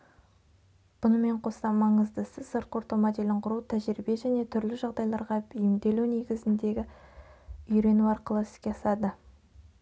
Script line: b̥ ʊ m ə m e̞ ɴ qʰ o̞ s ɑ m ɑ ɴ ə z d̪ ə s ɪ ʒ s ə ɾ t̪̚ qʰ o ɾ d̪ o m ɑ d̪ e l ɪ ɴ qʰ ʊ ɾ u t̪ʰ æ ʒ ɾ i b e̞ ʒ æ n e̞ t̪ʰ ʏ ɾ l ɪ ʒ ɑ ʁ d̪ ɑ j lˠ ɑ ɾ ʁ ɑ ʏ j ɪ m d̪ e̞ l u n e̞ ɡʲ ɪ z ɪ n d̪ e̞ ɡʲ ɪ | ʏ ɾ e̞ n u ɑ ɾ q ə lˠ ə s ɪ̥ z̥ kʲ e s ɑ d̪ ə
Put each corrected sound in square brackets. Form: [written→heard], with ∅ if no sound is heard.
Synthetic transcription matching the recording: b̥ ʊ [m→n] ə m e̞ ɴ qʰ o̞ s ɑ m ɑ ɴ ə z d̪ ə s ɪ [ʒ→z] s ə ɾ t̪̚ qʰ o ɾ [d̪→t̪] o m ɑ d̪ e l ɪ ɴ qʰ ʊ ɾ u t̪ʰ æ ʒ ɾ i b e̞ ʒ æ n e̞ t̪ʰ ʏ ɾ l ɪ ʒ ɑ ʁ d̪ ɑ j lˠ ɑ ɾ ʁ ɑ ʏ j ɪ m d̪ e̞ l u n e̞ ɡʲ ɪ z ɪ n d̪ e̞ ɡʲ ɪ | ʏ ɾ e̞ n u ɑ ɾ q ə lˠ ə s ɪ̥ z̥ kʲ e s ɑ d̪ ə